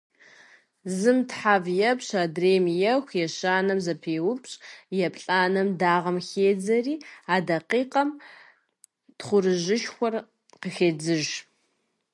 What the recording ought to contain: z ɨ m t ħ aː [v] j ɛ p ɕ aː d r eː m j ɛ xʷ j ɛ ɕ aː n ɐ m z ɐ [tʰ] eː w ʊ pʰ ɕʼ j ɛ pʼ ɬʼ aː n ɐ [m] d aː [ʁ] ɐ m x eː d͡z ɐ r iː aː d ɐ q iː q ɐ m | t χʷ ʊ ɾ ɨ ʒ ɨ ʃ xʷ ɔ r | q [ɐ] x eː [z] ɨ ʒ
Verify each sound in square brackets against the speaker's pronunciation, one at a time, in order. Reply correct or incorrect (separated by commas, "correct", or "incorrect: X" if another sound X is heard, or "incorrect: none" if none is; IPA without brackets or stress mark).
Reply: correct, incorrect: pʰ, correct, correct, incorrect: ə, incorrect: d͡z